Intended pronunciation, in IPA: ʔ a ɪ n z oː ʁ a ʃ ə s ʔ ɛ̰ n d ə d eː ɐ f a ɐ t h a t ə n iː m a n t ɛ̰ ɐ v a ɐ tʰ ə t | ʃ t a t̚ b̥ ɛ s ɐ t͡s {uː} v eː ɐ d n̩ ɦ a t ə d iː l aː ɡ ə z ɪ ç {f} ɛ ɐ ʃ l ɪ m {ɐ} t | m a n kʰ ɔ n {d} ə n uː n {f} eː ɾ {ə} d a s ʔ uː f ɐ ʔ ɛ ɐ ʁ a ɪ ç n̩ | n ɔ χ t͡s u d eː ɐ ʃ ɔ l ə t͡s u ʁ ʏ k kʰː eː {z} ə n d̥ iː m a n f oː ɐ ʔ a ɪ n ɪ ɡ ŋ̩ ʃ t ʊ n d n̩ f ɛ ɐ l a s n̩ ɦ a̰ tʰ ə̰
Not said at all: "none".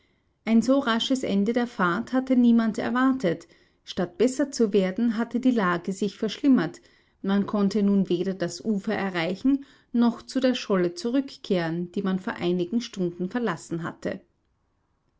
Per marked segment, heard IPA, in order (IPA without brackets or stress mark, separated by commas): u, f, ɐ, t, v, ɐ, ʁ